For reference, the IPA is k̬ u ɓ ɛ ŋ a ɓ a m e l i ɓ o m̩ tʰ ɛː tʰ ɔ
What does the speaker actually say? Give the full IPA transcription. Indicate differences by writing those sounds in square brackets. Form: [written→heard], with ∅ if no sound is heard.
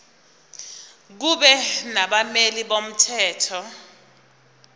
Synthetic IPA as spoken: k̬ u ɓ ɛ [ŋ→n] a ɓ a m e l i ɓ o m̩ tʰ ɛː tʰ ɔ

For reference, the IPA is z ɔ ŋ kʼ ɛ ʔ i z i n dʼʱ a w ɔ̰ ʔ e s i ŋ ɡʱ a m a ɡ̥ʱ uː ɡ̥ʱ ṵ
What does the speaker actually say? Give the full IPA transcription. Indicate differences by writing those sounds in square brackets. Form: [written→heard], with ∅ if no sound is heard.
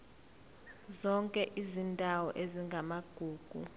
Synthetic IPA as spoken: z ɔ ŋ kʼ ɛ ʔ i z i n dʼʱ a w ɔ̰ ʔ e [s→z] i ŋ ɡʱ a m a ɡ̥ʱ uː ɡ̥ʱ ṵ

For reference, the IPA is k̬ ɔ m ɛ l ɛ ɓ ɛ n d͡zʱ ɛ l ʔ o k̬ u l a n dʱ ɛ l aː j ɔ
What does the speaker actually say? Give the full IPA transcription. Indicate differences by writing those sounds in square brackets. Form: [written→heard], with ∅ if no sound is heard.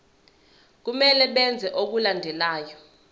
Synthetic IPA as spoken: k̬ [ɔ→u] m ɛ l ɛ ɓ ɛ n d͡zʱ ɛ [l→∅] ʔ o k̬ u l a n dʱ ɛ l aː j ɔ

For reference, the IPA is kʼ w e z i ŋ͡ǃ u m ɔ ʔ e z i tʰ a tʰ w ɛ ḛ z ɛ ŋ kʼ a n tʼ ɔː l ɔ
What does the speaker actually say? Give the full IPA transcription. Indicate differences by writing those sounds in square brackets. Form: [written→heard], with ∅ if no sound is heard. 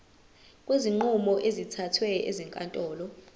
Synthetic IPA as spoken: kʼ w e z i ŋ͡ǃ u m ɔ ʔ e z i tʰ a tʰ w ɛ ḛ z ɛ ŋ kʼ a n tʼ ɔː l ɔ

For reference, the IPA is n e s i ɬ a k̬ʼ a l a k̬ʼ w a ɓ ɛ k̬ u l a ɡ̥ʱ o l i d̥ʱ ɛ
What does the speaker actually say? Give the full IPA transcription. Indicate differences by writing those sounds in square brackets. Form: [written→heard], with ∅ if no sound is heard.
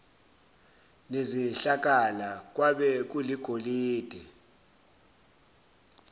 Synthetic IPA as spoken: n e [s→z] i ɬ a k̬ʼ a l a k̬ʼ w a ɓ ɛ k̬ u l [a→i] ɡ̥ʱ o l [i→iː] d̥ʱ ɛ

